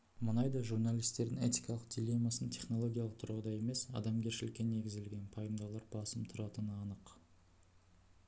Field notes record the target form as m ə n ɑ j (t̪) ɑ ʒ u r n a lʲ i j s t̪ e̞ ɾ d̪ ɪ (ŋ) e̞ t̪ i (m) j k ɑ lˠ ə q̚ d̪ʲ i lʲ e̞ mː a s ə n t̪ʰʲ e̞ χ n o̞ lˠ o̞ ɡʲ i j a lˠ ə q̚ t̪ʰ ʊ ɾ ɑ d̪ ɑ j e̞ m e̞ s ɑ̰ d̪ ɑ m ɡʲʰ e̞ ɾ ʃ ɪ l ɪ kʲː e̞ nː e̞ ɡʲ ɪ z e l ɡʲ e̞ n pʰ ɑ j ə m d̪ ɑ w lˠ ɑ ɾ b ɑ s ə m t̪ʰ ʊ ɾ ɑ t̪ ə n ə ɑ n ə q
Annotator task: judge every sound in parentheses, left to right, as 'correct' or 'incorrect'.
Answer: incorrect: d̪, correct, incorrect: none

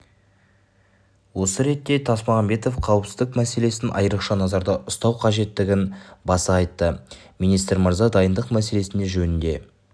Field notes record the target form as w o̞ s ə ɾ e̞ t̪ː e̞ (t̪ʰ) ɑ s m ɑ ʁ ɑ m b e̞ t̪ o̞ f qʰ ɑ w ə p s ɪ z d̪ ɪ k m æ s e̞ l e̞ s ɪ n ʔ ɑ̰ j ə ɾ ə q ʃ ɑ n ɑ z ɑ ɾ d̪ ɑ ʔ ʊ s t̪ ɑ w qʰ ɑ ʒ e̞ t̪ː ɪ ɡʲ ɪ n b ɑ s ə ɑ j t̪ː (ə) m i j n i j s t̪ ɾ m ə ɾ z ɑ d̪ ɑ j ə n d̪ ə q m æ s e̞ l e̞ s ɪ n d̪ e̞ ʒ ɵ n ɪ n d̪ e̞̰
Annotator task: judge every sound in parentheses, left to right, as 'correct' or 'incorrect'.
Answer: correct, correct

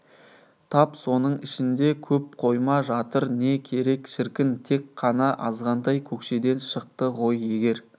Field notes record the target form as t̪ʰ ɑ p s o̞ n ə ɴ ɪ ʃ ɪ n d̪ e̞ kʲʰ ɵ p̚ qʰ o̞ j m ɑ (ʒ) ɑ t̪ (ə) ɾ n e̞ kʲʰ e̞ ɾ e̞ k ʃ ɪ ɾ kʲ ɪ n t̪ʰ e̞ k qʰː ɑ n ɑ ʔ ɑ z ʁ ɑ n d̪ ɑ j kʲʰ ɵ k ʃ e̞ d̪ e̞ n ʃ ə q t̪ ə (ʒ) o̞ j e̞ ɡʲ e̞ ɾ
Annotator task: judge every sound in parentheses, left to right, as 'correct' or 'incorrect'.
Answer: correct, correct, incorrect: ʁ

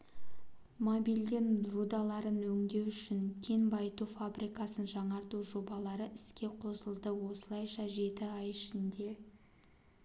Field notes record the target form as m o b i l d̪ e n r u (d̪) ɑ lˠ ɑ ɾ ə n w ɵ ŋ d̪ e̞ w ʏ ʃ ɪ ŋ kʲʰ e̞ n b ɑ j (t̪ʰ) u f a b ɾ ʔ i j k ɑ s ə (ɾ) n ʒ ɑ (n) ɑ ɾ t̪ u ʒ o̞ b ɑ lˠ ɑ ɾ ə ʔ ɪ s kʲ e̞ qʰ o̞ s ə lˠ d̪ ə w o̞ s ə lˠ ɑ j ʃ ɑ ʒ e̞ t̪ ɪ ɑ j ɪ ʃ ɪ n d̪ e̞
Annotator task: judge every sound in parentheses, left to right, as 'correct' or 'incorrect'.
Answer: correct, incorrect: t̪, incorrect: none, incorrect: ɴ

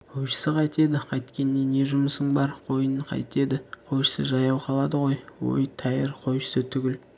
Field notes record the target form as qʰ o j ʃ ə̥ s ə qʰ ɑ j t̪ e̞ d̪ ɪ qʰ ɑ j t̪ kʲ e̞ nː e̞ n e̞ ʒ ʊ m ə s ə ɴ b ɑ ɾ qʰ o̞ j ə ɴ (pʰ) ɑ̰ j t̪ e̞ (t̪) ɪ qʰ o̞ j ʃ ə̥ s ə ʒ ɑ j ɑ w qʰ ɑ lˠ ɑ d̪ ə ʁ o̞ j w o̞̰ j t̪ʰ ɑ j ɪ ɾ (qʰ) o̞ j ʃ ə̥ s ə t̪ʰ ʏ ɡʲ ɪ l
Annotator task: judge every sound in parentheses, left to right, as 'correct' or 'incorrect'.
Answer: incorrect: qʰ, incorrect: d̪, correct

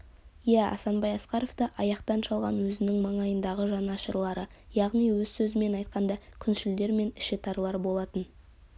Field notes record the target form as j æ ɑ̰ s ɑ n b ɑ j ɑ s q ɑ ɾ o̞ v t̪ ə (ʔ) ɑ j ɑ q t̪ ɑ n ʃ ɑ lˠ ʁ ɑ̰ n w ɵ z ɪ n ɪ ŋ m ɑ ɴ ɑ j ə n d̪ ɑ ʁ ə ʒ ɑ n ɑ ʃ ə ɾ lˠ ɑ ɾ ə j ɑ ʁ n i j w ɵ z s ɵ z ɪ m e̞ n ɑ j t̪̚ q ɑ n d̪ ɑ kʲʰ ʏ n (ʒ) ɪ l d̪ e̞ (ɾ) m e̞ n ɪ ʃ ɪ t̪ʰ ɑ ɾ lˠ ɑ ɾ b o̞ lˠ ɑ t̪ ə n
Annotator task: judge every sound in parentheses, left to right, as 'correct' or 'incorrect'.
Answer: correct, incorrect: ʃ, correct

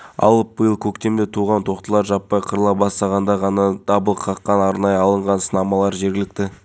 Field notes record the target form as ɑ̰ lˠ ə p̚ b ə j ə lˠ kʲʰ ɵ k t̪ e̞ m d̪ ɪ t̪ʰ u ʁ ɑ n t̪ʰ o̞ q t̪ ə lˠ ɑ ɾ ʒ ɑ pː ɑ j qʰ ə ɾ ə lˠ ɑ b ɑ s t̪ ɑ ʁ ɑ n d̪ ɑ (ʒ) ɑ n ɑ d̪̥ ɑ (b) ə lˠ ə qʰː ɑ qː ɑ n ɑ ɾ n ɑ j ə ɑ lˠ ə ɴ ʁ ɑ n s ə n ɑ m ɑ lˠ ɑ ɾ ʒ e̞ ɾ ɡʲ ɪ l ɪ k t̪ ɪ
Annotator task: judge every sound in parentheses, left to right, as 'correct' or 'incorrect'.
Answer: incorrect: ʁ, correct

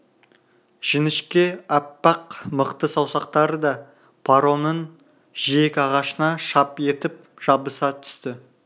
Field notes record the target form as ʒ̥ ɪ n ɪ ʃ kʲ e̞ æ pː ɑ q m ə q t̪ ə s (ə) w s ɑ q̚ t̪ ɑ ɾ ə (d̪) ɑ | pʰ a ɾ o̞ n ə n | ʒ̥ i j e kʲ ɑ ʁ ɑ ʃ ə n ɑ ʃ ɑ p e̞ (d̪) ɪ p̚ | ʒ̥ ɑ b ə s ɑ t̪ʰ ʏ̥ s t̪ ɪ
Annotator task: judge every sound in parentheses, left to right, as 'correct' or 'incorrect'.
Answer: incorrect: ɑ, correct, incorrect: t̪

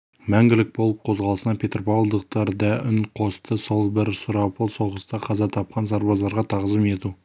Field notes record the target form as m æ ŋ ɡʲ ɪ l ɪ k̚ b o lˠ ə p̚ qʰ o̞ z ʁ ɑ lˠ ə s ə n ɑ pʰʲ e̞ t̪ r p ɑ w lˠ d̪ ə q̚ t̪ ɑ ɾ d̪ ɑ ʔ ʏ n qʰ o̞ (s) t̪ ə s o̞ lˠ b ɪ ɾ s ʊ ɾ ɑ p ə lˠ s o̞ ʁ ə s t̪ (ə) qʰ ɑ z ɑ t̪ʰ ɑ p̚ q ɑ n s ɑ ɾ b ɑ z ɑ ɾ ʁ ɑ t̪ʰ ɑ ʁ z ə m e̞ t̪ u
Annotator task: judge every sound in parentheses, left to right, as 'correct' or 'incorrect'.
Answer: correct, incorrect: ɑ

